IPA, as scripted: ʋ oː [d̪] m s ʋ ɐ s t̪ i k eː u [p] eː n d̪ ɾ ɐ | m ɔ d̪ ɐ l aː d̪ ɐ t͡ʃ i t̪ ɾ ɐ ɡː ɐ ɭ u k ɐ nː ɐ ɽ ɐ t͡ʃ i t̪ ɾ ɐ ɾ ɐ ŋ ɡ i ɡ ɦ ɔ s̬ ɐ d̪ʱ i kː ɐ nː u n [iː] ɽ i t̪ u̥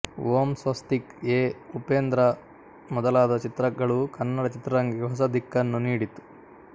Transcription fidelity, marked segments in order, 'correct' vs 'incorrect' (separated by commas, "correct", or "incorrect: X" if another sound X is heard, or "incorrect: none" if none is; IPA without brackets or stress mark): incorrect: none, correct, correct